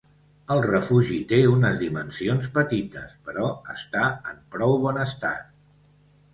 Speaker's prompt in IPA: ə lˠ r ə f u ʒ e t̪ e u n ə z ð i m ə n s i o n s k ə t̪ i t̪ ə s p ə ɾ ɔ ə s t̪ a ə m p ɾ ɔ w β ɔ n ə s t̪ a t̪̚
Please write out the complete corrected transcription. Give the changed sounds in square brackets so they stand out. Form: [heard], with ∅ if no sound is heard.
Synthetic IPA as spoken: ə lˠ r ə f u ʒ [i] t̪ e u n ə z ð i m ə n s i o n s [p] ə t̪ i t̪ ə s p ə ɾ ɔ ə s t̪ a ə m p ɾ ɔ w β ɔ n ə s t̪ a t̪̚